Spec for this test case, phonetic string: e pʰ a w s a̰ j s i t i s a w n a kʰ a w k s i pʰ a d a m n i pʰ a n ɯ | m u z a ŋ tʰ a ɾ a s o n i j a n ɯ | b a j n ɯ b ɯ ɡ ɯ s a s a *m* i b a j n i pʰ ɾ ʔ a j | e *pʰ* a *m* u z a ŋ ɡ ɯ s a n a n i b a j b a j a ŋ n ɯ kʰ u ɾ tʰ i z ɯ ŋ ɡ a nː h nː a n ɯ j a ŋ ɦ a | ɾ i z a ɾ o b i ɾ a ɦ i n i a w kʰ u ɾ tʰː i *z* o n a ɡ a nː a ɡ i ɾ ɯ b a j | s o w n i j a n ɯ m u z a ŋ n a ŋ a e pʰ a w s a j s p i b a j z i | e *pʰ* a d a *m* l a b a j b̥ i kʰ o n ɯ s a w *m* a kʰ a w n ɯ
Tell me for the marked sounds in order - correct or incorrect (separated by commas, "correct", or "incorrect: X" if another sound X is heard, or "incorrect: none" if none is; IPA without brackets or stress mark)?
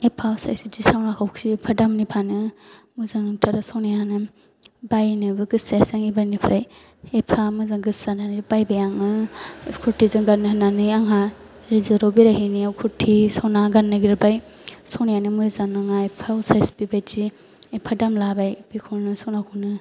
incorrect: ŋ, correct, correct, incorrect: s, correct, correct, incorrect: n